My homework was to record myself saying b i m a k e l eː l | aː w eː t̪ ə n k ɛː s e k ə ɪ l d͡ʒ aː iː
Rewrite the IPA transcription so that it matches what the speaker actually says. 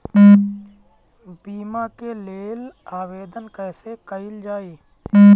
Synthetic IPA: b iː m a k e l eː l | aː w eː d̪ ə n k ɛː s e k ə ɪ l d͡ʒ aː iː